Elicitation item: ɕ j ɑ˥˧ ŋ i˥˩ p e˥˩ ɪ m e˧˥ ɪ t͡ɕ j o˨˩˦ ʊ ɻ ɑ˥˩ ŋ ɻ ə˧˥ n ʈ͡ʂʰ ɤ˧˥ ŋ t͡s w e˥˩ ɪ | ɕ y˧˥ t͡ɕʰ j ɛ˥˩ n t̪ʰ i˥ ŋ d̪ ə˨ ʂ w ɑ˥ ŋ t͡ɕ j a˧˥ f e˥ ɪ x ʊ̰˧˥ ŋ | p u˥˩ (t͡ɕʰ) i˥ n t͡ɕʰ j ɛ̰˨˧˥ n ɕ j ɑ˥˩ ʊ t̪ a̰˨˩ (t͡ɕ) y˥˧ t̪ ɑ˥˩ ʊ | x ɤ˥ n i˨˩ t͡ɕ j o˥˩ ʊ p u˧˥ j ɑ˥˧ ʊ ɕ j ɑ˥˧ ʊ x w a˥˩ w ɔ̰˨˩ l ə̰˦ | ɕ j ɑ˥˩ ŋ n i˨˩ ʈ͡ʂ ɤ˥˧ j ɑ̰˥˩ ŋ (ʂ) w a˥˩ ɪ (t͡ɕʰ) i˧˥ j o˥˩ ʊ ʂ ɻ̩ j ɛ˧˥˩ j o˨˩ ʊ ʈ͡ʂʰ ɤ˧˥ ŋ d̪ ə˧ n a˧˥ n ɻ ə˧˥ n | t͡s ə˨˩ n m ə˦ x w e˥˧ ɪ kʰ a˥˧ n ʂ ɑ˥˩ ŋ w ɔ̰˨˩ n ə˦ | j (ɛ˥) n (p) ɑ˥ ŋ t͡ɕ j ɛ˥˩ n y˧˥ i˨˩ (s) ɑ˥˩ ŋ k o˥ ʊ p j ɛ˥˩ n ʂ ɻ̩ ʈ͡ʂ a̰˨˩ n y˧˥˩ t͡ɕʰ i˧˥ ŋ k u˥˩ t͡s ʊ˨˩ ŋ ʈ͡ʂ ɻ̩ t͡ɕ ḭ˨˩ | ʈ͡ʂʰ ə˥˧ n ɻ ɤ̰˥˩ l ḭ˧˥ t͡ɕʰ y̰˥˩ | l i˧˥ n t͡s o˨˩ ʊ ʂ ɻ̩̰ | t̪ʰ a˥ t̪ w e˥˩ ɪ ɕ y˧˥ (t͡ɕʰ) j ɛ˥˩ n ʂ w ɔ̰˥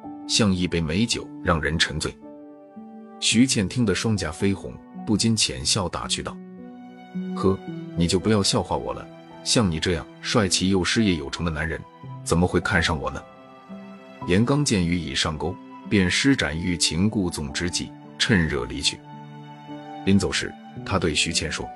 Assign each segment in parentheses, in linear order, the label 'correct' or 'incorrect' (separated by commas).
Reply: incorrect, incorrect, correct, correct, incorrect, incorrect, incorrect, correct